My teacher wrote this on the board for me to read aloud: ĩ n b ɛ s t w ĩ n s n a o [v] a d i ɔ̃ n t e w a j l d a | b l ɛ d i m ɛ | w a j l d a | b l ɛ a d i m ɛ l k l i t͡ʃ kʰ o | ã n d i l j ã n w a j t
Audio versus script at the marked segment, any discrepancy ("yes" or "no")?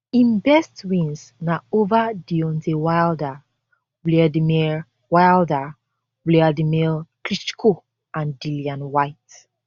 no